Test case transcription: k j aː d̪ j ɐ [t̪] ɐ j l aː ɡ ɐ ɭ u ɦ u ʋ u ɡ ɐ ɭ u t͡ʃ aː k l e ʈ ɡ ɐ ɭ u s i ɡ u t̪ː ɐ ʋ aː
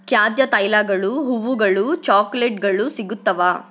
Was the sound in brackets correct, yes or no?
yes